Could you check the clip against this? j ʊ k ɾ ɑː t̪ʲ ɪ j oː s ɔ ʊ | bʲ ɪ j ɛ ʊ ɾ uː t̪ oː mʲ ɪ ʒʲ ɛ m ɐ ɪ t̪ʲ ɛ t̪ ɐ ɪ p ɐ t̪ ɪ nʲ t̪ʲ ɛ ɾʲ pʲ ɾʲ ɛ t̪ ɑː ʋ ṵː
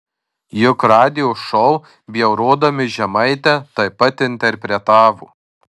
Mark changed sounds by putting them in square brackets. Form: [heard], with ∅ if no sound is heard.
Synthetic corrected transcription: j ʊ k ɾ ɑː [d̪ʲ] ɪ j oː [ʃ] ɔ ʊ | bʲ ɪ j ɛ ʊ ɾ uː [d̪] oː mʲ ɪ ʒʲ ɛ m ɐ ɪ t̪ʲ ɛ t̪ ɐ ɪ p ɐ t̪ ɪ nʲ t̪ʲ ɛ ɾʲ pʲ ɾʲ ɛ t̪ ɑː ʋ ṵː

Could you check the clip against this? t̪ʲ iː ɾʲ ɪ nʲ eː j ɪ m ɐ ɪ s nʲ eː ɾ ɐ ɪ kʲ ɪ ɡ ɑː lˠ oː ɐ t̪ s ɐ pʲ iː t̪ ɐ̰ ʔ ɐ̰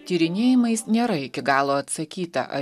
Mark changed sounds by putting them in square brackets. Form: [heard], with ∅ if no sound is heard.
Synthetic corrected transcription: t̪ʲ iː ɾʲ ɪ nʲ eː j ɪ m ɐ ɪ s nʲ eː ɾ ɐ ɪ kʲ ɪ ɡ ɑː lˠ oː ɐ t̪ s ɐ [kʲ] iː t̪ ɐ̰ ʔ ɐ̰

